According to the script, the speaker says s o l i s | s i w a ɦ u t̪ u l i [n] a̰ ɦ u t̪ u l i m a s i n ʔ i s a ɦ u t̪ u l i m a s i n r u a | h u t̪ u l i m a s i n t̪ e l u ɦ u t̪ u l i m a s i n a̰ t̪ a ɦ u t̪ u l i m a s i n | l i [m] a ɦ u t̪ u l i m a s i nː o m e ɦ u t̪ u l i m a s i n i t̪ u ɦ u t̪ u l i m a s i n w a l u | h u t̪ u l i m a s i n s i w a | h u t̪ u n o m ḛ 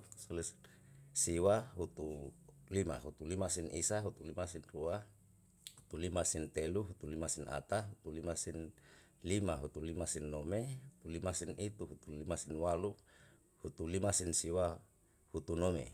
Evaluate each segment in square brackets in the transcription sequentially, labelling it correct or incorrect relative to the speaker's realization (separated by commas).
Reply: incorrect, correct